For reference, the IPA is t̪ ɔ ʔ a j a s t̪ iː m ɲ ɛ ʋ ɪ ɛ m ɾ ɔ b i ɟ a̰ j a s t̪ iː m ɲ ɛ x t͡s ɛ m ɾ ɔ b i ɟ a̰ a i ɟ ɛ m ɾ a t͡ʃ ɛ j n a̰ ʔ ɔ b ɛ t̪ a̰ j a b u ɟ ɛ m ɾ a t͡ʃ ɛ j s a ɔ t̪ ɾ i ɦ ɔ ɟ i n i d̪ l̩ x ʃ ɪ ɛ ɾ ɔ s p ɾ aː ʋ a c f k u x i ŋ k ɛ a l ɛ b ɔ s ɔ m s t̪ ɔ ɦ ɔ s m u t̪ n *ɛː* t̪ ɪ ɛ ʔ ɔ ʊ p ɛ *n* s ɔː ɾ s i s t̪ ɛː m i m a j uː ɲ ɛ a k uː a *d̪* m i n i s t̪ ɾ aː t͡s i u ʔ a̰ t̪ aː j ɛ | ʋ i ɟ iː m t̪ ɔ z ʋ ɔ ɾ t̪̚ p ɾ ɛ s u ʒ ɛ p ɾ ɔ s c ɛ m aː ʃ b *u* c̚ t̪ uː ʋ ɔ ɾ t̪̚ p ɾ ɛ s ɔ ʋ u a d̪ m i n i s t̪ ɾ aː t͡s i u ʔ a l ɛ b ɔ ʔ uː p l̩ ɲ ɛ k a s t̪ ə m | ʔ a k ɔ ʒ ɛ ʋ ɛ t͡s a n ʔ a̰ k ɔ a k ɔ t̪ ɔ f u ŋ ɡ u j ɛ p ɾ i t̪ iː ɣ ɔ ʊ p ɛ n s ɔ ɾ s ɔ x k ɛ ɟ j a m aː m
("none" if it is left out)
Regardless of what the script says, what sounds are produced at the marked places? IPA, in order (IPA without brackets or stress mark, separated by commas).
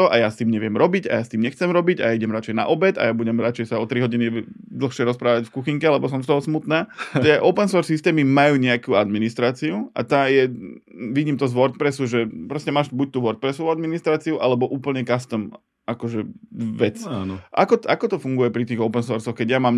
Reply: aː, n, d̪, u